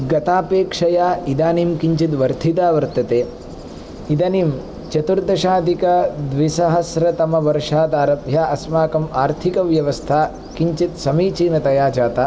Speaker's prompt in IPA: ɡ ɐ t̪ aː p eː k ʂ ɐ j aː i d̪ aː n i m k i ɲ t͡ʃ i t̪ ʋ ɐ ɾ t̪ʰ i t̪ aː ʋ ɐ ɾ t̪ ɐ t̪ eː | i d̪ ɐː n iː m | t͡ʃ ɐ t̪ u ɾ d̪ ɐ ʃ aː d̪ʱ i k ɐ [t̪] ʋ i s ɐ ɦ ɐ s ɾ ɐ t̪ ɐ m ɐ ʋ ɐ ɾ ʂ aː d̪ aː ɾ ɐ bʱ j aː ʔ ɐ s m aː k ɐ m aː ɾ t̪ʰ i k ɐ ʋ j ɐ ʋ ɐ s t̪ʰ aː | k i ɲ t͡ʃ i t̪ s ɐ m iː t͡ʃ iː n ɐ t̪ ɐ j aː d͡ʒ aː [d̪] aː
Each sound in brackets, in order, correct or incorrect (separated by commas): incorrect, incorrect